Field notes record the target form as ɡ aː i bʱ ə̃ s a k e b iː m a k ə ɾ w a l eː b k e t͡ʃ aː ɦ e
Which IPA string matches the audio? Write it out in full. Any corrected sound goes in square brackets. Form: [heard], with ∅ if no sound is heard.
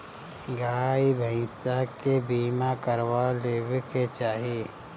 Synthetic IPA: ɡ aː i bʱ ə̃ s a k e b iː m a k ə ɾ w a l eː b k e t͡ʃ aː ɦ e